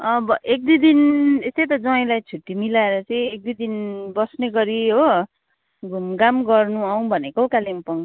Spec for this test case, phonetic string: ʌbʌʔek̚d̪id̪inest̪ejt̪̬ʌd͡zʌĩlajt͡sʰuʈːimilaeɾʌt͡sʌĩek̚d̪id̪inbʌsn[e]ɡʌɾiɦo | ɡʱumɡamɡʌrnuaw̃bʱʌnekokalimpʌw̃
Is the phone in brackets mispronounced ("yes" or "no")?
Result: no